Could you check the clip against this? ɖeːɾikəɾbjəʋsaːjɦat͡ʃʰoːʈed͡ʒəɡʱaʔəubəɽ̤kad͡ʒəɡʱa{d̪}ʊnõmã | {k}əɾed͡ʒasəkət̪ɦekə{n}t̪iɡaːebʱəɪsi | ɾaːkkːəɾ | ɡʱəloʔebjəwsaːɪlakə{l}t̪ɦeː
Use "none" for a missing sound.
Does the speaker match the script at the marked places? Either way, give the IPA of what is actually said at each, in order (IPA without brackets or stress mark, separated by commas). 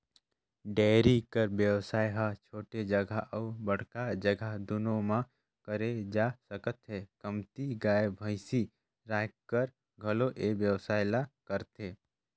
d̪, k, m, ɾ